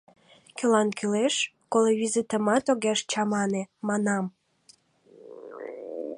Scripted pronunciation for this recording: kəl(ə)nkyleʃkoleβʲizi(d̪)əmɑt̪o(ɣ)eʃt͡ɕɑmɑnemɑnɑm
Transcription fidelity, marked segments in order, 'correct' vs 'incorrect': incorrect, incorrect, correct

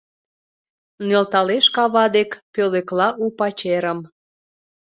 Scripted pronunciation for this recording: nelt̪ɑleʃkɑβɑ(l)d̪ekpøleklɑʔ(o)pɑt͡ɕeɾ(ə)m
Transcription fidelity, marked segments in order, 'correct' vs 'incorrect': incorrect, incorrect, correct

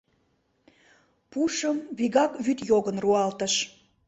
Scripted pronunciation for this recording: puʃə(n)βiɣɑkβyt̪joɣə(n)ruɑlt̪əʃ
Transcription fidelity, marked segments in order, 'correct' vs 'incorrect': incorrect, correct

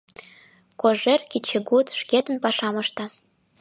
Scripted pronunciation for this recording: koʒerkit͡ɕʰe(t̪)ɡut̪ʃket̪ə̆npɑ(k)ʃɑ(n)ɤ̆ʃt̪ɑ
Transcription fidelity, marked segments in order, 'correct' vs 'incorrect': incorrect, incorrect, incorrect

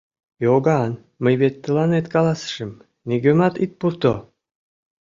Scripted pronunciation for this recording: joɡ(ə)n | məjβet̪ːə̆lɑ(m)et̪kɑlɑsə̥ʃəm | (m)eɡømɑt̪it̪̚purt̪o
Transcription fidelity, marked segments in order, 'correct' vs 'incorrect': incorrect, incorrect, incorrect

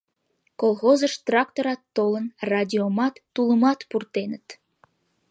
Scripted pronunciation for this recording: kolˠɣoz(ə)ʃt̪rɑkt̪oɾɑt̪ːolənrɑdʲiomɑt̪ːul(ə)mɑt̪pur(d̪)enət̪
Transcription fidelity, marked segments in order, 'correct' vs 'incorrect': correct, correct, incorrect

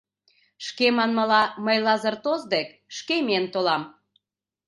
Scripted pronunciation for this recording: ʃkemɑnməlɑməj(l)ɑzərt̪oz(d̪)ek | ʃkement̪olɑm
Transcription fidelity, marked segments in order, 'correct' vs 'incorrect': correct, correct

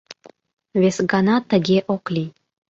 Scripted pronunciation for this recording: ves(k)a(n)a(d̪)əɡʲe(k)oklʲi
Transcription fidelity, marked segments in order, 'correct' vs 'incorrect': incorrect, correct, incorrect, incorrect

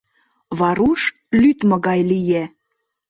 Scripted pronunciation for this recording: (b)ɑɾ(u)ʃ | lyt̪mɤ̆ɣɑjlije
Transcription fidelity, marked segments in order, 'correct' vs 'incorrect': incorrect, correct

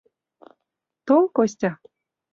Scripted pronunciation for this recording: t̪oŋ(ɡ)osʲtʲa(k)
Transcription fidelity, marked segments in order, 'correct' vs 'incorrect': incorrect, incorrect

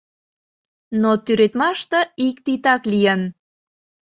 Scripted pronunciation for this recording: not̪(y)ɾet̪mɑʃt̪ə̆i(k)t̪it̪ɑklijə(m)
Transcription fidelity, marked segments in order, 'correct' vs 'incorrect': correct, correct, incorrect

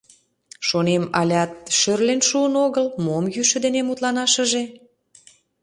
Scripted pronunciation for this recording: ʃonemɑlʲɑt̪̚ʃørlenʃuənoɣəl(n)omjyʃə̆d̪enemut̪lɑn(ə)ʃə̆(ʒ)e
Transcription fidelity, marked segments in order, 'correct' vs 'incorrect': incorrect, incorrect, correct

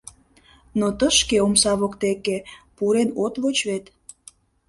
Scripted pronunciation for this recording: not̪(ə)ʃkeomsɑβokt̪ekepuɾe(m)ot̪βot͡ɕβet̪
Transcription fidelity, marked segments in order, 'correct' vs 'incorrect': correct, incorrect

